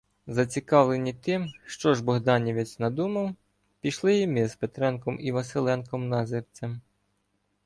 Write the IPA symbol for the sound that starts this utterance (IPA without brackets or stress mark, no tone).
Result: z